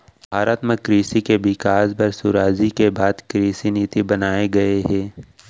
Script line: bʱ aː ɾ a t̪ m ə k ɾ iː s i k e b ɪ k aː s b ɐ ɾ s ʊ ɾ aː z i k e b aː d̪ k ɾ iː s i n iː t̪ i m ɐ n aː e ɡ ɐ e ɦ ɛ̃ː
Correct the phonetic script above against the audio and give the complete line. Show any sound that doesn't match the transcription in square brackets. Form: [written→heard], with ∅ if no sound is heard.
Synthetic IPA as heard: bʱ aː ɾ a t̪ m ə k ɾ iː s i k e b ɪ k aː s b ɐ ɾ s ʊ ɾ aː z i k e b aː d̪ k ɾ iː s i n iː t̪ i [m→b] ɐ n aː e ɡ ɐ e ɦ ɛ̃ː